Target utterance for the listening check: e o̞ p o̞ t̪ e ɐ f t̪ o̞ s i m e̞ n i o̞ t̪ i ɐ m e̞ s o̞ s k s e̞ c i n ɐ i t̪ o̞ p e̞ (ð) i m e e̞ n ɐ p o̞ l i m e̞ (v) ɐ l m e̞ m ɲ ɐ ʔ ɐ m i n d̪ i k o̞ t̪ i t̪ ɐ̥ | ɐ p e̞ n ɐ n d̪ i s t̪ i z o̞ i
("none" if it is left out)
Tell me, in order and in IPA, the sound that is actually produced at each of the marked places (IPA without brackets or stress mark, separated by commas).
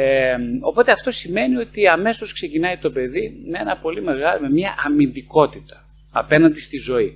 ð, ɣ